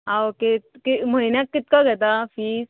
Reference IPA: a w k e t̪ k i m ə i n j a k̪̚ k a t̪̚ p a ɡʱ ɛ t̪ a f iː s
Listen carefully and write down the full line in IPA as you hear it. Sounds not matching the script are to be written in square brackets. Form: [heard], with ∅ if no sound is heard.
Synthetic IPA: a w k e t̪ k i m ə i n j a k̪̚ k [i] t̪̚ [k] a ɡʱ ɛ t̪ a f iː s